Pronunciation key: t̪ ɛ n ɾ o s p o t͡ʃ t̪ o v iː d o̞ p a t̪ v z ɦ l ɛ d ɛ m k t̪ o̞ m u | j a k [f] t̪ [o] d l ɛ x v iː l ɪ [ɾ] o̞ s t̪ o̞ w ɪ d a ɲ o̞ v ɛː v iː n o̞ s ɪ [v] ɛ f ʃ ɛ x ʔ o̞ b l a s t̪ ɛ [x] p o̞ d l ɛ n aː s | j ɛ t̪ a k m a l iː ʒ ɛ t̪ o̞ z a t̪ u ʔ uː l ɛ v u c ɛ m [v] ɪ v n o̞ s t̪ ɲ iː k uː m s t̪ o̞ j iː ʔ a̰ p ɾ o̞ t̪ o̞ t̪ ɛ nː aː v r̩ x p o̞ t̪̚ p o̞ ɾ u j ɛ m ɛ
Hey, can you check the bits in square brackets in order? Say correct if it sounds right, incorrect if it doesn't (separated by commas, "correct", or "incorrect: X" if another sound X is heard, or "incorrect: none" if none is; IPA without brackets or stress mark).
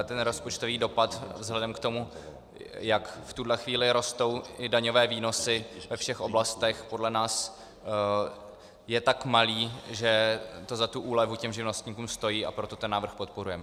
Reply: correct, incorrect: u, correct, correct, correct, incorrect: ʒ